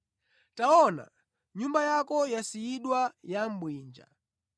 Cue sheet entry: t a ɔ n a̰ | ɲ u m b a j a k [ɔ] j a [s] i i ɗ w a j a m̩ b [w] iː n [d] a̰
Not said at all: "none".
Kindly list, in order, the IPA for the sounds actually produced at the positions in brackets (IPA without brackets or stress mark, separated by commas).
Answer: ɔ, s, w, d͡ʒ